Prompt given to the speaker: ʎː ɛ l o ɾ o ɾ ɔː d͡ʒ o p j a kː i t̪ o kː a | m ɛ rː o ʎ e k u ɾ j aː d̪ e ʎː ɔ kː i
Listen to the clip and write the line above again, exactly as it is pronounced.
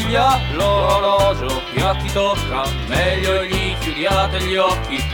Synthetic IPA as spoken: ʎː a l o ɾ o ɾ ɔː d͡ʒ o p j a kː i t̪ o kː a | m ɛ ʎː o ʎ i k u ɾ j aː t̪ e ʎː ɔ kː i